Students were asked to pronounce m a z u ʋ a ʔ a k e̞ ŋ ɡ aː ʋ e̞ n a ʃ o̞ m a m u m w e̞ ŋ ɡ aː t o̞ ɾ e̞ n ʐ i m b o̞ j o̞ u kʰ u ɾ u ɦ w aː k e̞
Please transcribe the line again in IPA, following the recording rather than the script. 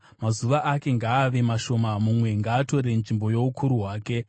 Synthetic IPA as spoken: m a z u ʋ a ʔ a k e̞ ŋ ɡ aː ʋ e̞ m a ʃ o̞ m a m u m w e̞ ŋ ɡ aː t o̞ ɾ e̞ n ʐ i m b o̞ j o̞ u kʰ u ɾ u ɦ w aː k e̞